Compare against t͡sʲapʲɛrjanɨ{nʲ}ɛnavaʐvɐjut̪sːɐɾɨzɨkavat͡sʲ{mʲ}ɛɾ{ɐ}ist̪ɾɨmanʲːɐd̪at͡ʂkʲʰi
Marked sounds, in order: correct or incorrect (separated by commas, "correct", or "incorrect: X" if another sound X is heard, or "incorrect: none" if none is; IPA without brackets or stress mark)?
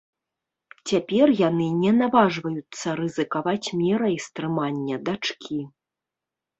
correct, correct, correct